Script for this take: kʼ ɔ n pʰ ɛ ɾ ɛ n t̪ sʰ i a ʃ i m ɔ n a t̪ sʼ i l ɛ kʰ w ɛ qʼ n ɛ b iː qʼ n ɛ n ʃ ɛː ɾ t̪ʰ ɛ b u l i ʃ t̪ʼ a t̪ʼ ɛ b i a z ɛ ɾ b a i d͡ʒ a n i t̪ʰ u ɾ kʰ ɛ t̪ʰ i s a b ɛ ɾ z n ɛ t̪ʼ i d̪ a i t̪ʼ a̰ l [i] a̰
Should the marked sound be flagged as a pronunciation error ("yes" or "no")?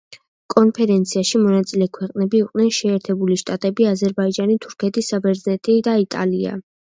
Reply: no